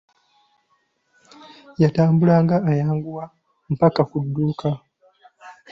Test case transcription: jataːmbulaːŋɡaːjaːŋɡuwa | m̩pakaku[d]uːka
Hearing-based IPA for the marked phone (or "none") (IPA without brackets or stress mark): dː